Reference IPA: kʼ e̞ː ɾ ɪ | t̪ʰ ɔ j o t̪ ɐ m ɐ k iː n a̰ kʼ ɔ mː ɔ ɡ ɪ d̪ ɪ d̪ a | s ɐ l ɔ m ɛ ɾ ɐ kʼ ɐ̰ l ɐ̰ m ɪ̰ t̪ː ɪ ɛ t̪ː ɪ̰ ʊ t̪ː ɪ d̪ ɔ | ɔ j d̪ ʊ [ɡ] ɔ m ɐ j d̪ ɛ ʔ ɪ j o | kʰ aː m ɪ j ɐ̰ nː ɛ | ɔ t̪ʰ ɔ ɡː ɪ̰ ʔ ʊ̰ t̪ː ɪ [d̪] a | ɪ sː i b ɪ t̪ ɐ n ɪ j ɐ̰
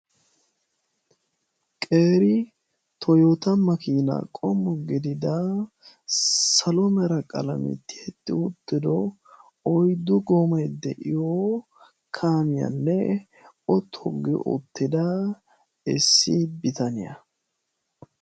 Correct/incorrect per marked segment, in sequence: correct, correct

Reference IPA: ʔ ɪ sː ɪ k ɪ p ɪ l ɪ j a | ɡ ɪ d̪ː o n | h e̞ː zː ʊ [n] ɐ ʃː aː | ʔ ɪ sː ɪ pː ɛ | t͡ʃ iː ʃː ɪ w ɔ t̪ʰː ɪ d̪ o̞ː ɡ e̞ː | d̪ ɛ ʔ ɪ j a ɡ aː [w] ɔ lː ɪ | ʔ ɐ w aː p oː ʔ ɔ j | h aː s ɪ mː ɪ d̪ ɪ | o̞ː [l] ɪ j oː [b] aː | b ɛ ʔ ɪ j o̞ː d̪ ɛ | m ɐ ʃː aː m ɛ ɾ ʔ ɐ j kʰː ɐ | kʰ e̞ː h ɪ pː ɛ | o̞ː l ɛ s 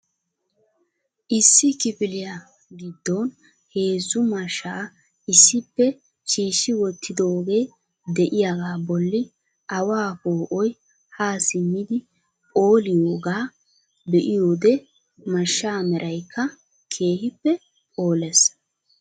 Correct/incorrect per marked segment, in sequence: incorrect: m, incorrect: b, correct, incorrect: ɡ

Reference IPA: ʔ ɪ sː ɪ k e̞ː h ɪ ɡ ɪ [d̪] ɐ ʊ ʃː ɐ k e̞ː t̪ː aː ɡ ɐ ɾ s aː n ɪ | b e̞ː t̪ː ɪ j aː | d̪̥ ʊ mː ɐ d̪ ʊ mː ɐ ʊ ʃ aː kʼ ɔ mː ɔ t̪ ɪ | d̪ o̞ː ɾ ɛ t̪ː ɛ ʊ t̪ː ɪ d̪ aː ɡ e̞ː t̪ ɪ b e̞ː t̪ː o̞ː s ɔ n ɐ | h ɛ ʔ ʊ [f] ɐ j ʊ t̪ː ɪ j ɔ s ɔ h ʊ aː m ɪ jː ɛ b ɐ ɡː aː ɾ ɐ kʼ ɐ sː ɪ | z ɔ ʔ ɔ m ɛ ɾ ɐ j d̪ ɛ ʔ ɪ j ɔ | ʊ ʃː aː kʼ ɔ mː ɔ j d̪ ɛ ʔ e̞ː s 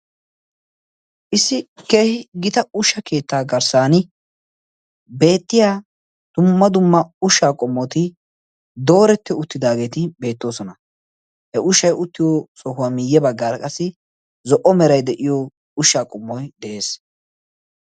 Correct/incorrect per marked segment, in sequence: incorrect: t̪, incorrect: ʃ

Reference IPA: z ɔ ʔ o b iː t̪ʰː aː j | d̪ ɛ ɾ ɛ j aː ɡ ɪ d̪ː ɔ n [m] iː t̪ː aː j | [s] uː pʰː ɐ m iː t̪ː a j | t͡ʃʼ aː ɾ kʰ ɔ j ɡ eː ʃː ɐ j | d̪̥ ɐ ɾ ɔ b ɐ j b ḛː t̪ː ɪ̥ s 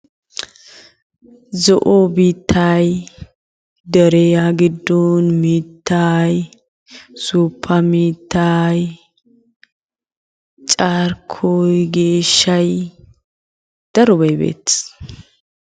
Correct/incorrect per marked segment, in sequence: correct, correct

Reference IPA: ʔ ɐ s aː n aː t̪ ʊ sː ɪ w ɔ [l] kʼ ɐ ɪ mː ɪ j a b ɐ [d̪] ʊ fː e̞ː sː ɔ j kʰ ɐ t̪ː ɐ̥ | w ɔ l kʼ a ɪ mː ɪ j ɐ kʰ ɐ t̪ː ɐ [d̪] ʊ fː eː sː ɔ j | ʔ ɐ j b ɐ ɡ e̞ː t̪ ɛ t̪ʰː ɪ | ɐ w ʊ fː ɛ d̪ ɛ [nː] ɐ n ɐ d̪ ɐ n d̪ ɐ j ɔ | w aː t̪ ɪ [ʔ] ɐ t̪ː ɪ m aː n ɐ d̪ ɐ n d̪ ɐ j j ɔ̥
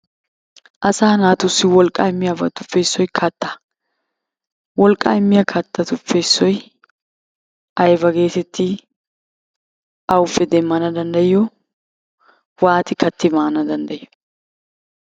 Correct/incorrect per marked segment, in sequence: correct, incorrect: t̪, incorrect: t̪, incorrect: mː, incorrect: k

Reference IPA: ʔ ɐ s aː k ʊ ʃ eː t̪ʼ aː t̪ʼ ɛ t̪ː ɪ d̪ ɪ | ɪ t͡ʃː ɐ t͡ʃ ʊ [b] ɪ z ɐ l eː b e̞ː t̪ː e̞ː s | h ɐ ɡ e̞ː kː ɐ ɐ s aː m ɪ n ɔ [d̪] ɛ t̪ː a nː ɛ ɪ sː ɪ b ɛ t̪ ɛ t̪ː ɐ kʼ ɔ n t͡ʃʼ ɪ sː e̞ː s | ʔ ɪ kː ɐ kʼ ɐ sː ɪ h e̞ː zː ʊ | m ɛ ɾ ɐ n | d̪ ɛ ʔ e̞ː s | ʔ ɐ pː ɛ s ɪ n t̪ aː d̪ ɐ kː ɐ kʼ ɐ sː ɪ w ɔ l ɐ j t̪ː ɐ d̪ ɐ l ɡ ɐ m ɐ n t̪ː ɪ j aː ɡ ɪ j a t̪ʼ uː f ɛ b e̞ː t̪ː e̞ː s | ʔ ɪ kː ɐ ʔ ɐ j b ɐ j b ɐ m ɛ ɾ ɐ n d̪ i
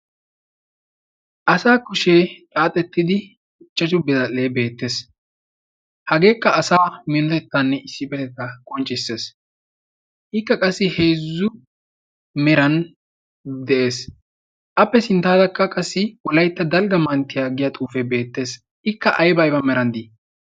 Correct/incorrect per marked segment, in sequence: correct, incorrect: t̪

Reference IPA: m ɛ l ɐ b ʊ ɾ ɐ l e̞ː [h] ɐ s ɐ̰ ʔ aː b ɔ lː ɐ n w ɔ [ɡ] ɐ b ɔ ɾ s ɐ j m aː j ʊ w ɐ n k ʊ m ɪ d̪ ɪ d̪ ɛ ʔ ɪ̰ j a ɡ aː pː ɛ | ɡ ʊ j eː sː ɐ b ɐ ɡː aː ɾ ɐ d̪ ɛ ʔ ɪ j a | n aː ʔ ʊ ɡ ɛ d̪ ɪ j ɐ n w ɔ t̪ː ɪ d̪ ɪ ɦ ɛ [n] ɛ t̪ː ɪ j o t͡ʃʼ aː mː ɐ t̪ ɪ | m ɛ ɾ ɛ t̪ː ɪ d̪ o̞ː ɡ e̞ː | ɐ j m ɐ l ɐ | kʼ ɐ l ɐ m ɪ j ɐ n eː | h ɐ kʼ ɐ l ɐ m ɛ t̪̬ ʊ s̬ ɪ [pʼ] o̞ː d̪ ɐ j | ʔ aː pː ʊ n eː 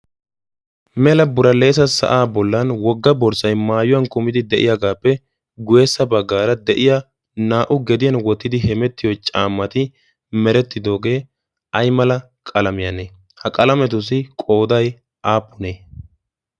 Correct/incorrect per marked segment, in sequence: incorrect: s, incorrect: ɡː, incorrect: m, incorrect: kʼ

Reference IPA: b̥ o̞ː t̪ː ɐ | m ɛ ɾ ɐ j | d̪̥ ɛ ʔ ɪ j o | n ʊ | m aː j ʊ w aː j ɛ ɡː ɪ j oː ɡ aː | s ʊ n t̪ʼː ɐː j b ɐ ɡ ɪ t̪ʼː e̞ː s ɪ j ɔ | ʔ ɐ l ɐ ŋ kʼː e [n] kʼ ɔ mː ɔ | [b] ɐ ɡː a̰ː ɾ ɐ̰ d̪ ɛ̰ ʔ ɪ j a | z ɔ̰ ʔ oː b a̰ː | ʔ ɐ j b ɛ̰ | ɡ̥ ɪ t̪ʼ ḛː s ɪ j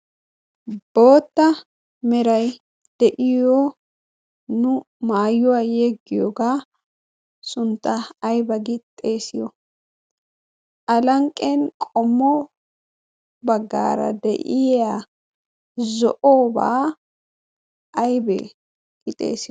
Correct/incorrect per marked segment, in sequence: correct, correct

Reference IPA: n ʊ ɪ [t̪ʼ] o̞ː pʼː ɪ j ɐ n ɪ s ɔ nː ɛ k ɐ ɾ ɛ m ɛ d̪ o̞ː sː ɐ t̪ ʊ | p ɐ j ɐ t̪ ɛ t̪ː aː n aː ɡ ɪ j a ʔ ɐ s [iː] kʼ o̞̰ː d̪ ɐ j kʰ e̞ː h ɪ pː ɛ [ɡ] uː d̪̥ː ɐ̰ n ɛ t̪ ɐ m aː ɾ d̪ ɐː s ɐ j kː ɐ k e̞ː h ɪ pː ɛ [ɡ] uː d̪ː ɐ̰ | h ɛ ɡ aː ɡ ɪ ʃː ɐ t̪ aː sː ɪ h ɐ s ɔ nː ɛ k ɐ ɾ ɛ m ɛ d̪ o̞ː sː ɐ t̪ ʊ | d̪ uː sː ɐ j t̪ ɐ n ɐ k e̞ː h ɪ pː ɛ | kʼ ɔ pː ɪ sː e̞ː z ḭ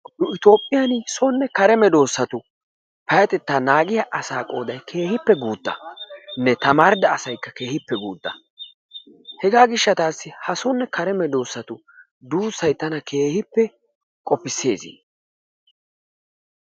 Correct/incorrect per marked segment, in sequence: incorrect: t̪, incorrect: aː, correct, correct

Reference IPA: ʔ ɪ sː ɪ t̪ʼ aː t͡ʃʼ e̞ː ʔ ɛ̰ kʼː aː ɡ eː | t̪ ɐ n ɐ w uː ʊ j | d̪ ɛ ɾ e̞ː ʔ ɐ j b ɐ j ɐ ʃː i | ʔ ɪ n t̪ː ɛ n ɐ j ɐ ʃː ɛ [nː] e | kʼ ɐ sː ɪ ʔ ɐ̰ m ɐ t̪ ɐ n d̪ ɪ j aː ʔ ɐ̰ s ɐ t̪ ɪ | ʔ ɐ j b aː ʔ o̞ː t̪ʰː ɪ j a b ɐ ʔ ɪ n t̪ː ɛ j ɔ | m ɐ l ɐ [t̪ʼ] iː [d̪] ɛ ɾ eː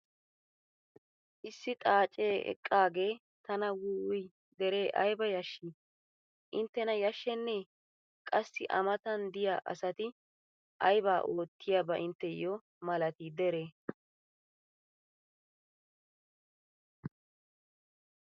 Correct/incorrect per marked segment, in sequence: correct, incorrect: t̪, correct

